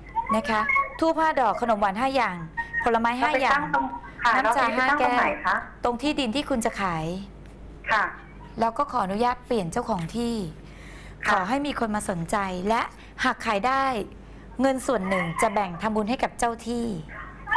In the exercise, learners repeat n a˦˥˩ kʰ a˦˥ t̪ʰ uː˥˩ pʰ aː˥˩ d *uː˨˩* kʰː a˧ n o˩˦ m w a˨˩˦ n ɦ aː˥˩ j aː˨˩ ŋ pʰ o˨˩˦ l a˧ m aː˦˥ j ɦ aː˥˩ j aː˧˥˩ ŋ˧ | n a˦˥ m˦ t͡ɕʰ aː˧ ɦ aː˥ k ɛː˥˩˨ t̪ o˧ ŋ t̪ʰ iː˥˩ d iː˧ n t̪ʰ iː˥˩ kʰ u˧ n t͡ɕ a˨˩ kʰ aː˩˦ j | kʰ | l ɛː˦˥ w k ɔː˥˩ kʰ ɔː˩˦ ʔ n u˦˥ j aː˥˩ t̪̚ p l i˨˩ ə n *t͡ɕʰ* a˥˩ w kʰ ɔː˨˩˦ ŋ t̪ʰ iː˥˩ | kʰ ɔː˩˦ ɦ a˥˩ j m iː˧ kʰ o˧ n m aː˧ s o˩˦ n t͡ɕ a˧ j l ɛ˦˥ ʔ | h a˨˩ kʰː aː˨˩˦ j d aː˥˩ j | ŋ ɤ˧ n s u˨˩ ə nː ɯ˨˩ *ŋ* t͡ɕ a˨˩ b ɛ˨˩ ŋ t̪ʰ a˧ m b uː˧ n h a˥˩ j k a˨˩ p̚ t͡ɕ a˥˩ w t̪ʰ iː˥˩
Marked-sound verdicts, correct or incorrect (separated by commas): incorrect, incorrect, correct